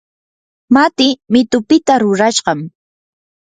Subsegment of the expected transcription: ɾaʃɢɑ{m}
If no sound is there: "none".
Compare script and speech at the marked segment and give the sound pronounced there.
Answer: m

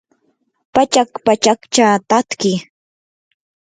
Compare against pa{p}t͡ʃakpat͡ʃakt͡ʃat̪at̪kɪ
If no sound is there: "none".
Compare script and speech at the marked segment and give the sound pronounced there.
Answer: none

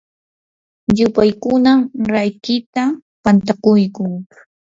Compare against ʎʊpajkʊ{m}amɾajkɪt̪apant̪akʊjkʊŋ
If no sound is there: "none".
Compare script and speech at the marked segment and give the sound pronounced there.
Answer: n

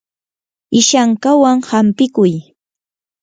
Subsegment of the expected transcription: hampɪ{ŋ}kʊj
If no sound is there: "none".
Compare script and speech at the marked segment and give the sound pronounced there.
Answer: none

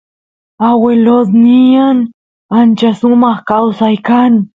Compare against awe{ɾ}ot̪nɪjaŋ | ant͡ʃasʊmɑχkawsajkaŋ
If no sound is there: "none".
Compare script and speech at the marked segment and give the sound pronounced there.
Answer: l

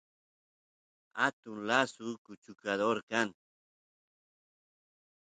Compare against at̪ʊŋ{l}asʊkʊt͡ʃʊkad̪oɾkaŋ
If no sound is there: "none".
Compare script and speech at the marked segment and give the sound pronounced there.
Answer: l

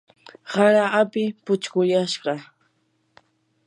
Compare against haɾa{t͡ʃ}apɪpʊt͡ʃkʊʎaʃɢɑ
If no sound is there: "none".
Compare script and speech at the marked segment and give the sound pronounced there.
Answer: none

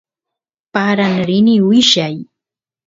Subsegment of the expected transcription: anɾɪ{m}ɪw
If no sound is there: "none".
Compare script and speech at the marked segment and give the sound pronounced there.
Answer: n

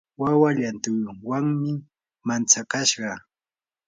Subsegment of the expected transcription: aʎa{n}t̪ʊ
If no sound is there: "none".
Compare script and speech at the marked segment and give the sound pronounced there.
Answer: n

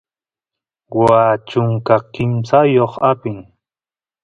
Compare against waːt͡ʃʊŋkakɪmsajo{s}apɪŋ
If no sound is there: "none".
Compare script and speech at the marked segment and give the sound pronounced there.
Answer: χ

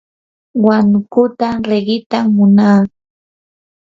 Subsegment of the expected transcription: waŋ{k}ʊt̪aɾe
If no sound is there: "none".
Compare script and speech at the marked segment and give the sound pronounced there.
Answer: k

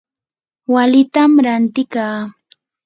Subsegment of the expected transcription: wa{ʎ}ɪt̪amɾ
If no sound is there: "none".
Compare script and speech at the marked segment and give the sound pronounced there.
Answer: l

